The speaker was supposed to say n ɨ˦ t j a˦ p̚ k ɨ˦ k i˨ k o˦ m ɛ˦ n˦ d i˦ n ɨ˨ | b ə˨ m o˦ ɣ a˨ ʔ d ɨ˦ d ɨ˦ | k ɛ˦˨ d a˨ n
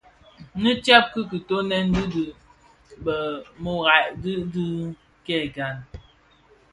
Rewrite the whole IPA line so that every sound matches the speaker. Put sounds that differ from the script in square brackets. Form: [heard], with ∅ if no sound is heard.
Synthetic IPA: n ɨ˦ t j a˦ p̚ k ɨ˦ k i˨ [t] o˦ [n] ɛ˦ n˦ d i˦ [d] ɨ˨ | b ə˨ m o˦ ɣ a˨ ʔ d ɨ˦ d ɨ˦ | k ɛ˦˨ [ɡ] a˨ n